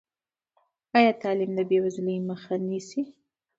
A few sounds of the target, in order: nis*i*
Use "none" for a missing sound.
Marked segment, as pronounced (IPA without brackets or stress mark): i